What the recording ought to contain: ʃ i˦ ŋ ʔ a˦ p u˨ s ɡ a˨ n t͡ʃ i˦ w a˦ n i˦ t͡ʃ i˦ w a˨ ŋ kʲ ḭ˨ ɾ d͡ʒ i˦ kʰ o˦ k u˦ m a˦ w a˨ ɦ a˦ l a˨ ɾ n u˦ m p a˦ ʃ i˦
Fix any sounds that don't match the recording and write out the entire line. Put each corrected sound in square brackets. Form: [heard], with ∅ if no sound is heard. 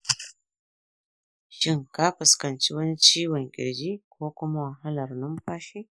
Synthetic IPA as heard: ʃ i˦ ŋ [k] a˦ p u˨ s [k] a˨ n t͡ʃ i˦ w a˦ n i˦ t͡ʃ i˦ w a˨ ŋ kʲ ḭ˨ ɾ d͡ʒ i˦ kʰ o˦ k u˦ m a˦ w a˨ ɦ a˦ l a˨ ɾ n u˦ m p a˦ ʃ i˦